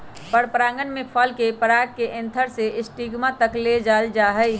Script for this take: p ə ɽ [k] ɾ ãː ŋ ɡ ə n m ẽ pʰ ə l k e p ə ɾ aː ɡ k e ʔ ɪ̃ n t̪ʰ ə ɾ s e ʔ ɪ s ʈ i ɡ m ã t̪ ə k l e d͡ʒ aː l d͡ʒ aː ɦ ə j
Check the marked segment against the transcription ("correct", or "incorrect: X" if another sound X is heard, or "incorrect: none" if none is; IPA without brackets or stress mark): incorrect: p